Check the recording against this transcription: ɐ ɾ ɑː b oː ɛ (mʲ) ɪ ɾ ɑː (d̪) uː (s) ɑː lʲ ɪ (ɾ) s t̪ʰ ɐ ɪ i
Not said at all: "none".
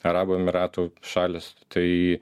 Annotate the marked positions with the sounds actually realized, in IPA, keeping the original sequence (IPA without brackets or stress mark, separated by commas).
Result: mʲ, t̪, ʃ, none